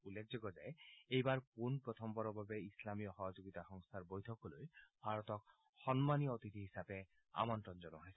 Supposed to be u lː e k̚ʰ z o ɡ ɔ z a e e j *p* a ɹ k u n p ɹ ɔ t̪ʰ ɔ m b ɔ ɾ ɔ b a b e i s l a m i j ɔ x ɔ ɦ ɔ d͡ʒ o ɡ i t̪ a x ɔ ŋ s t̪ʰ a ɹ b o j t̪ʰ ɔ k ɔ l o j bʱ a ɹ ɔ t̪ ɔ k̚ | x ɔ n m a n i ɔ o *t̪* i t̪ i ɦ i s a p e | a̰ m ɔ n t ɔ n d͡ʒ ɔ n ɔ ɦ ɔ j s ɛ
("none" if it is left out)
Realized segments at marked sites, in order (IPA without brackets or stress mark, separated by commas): b, t̪